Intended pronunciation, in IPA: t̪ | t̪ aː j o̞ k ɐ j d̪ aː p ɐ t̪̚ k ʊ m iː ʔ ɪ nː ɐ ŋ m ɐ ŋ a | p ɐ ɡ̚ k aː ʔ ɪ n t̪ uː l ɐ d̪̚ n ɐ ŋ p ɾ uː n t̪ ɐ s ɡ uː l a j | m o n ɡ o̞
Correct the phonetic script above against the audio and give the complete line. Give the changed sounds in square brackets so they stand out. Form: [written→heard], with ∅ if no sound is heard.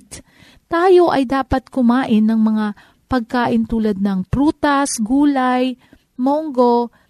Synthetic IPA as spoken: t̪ | t̪ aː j o̞ [k→ʔ] ɐ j d̪ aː p ɐ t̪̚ k ʊ m [iː→aː] ʔ ɪ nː ɐ ŋ m ɐ ŋ a | p ɐ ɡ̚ k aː ʔ ɪ n t̪ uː l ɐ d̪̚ n ɐ ŋ p ɾ uː [n→∅] t̪ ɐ s ɡ uː l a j | m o [n→ŋ] ɡ o̞